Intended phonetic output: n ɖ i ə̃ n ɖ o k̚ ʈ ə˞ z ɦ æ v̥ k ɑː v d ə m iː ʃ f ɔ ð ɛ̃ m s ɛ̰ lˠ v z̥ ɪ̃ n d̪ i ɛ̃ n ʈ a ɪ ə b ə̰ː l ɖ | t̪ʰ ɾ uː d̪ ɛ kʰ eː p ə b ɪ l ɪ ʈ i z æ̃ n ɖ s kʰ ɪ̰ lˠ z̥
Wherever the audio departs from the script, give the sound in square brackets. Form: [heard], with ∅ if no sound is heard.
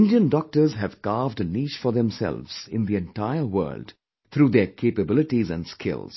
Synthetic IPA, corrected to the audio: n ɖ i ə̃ n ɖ [ɔ] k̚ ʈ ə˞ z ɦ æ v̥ k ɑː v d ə [n] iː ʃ f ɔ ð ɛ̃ m s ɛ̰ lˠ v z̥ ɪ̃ n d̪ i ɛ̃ n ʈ a ɪ ə [w] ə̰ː l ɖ | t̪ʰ ɾ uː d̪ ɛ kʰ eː p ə b ɪ l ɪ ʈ i z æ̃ n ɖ s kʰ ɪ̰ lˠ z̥

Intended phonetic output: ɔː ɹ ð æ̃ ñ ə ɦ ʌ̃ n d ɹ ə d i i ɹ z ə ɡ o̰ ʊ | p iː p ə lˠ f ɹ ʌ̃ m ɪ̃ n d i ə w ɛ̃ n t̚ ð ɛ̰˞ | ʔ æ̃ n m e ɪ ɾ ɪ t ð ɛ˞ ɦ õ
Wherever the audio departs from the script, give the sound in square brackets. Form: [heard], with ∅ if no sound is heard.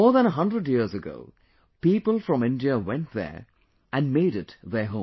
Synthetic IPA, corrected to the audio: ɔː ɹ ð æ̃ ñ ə ɦ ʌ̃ n d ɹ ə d [j] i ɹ z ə ɡ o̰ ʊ | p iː p ə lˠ f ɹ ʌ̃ m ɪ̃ n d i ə w ɛ̃ n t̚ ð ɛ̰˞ | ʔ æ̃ n m e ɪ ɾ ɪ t ð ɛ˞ ɦ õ

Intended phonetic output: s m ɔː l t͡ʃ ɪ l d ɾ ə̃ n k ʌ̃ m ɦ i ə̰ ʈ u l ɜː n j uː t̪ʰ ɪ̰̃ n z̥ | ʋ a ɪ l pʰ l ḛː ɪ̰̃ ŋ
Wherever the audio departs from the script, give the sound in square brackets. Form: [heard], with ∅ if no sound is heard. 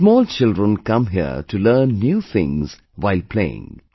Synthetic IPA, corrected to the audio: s m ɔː l t͡ʃ ɪ l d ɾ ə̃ n k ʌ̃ m ɦ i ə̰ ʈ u l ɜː [nː] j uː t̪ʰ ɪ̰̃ [ŋ] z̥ | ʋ a ɪ l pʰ l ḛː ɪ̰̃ ŋ

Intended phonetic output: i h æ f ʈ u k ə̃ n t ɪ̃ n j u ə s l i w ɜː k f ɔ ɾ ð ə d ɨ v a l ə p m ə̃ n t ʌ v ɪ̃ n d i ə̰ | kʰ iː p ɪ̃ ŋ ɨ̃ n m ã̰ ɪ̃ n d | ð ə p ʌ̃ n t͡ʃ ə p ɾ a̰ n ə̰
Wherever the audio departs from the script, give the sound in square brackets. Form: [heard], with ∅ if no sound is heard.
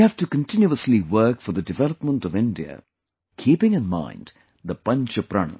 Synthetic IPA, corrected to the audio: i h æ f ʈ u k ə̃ n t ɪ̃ n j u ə s l i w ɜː k f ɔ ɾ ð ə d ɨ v [ɛ] l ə p m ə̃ n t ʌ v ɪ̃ n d i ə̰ | kʰ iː p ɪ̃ ŋ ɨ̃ n m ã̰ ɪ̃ n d | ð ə p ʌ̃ n t͡ʃ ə p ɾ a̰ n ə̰

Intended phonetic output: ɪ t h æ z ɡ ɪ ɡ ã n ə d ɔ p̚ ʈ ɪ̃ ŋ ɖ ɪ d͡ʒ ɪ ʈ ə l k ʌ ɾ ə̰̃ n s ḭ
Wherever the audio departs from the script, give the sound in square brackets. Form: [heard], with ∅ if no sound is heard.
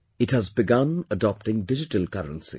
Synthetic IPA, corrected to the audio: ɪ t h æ z [b] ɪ ɡ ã n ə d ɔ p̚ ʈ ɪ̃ ŋ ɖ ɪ d͡ʒ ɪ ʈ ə l k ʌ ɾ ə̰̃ n s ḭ

